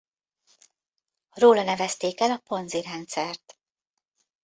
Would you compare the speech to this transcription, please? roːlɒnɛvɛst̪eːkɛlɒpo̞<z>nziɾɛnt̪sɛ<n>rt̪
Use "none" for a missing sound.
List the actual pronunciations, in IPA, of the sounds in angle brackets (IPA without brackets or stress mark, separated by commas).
none, none